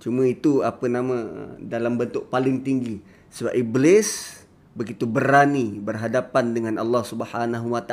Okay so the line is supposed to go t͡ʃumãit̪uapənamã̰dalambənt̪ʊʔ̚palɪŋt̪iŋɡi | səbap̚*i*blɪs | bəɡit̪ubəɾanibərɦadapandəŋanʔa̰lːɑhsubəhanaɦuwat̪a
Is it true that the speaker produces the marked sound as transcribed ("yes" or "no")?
yes